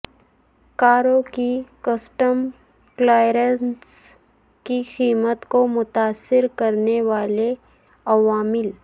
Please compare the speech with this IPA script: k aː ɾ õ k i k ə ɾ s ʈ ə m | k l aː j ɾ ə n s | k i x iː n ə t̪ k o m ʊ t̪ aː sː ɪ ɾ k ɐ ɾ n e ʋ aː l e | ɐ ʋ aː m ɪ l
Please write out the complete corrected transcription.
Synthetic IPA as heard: k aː ɾ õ k i k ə s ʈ ə m | k l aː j ɾ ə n s | k i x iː m ə t̪ k o m ʊ t̪ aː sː ɪ ɾ k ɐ ɾ n e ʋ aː l e | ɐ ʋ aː m ɪ l